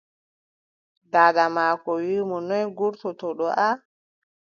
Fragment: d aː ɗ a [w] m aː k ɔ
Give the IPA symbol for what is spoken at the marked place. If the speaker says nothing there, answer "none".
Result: none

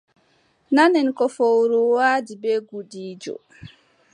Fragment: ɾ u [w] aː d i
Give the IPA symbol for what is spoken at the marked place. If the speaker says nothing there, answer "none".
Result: w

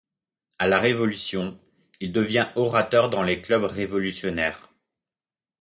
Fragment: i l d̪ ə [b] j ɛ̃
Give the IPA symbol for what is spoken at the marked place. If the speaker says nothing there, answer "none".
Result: v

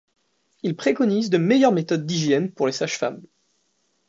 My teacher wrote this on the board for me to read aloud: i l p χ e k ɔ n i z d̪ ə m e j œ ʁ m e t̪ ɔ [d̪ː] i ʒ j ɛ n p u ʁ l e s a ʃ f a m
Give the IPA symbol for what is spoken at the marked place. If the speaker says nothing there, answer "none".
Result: d̪ː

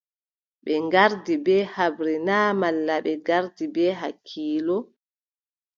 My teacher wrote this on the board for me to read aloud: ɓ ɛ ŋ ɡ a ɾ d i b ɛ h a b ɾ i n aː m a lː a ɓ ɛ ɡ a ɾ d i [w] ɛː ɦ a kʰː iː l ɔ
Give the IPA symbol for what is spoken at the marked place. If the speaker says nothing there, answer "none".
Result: b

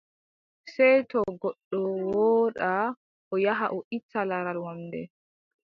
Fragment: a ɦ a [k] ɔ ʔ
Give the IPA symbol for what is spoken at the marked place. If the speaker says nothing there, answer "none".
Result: ʔ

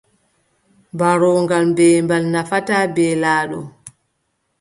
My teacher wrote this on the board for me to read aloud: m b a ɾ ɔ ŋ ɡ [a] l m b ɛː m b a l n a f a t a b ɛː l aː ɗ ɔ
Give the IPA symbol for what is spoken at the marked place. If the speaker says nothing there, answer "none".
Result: a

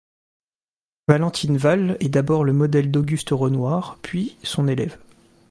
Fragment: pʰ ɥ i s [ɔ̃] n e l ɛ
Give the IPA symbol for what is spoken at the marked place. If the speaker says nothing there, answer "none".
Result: ɔ̃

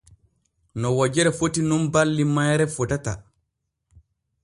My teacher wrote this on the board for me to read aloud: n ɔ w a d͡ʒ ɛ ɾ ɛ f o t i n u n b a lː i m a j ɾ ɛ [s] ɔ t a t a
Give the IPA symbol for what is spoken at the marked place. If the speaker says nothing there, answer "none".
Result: f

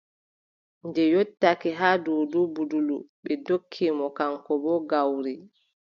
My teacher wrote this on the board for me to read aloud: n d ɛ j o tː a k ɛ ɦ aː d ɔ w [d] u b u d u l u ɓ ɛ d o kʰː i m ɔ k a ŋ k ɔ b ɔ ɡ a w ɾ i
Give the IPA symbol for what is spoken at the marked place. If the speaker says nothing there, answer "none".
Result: d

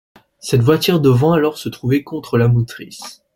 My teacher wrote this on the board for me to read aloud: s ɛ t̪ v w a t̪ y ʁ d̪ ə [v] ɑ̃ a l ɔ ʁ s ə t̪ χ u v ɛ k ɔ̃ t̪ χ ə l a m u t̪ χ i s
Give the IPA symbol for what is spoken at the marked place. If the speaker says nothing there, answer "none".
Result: v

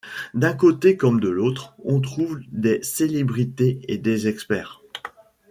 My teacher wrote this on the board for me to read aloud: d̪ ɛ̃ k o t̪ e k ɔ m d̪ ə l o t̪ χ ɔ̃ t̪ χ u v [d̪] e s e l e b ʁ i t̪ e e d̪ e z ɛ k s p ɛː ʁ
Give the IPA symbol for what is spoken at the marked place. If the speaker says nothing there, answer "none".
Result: d̪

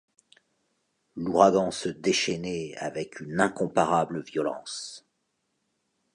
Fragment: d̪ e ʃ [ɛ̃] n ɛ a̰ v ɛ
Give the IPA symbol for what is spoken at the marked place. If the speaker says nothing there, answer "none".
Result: ɛ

